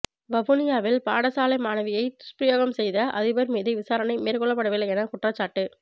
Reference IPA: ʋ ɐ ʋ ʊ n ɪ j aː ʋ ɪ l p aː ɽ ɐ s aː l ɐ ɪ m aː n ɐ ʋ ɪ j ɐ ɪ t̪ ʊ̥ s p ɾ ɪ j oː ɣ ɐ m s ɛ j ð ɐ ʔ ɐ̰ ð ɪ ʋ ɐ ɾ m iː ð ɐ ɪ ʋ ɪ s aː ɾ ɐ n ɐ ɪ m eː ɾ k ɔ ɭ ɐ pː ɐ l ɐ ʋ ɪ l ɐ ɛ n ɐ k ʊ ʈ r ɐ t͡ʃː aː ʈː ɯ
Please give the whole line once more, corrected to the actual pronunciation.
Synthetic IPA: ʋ ɐ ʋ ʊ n ɪ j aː ʋ ɪ l p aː ɽ ɐ s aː l ɐ ɪ m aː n ɐ ʋ ɪ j ɐ ɪ t̪ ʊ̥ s p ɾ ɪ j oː ɣ ɐ m s ɛ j ð ɐ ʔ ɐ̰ ð ɪ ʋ ɐ ɾ m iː ð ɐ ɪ ʋ ɪ s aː ɾ ɐ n ɐ ɪ m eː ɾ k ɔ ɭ ɐ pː ɐ ɽ ɐ ʋ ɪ l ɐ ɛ n ɐ k ʊ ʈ r ɐ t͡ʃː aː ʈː ɯ